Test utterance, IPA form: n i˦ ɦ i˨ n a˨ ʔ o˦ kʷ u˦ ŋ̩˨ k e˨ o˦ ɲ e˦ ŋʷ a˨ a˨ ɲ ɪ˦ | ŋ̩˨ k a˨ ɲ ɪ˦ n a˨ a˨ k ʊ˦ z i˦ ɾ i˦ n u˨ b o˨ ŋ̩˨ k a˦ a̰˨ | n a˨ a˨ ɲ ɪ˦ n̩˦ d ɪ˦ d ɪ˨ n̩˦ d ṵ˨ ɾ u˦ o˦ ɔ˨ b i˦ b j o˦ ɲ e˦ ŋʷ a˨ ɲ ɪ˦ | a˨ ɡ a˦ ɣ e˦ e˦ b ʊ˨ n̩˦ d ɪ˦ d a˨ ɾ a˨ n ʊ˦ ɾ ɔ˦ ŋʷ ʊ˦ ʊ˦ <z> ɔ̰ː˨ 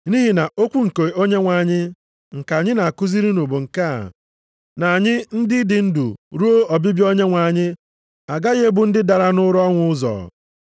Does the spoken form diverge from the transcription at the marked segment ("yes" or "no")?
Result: no